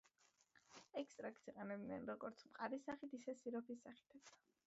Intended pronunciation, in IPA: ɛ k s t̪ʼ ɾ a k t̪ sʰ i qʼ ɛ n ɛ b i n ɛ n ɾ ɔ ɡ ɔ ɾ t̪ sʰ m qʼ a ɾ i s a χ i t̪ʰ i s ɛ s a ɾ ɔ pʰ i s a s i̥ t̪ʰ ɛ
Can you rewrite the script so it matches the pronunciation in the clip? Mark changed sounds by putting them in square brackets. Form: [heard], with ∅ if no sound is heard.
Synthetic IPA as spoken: ɛ k s t̪ʼ ɾ a k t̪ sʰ i qʼ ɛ n ɛ b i n ɛ n ɾ ɔ ɡ ɔ ɾ t̪ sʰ m qʼ a ɾ i s a χ i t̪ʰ i s ɛ s [i] ɾ ɔ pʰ i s a [χ] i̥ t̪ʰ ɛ